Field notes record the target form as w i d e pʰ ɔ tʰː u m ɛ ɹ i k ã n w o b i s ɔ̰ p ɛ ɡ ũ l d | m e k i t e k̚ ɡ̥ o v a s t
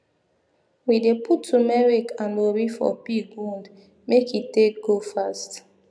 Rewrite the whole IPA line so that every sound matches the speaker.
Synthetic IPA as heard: w i d e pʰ u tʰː u m ɛ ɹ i k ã n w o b i f ɔ̰ p i ɡ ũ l d | m e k i t e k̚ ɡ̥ o f a s t